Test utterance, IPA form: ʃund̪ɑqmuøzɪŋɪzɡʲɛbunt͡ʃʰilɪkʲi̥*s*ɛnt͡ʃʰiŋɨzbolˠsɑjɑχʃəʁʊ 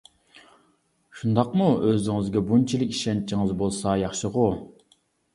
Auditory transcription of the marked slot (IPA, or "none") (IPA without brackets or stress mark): ʃ